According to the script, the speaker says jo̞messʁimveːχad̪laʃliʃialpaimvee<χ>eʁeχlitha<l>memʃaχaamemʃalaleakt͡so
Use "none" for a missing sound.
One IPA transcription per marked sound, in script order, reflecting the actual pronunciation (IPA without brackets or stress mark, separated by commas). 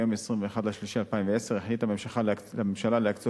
s, none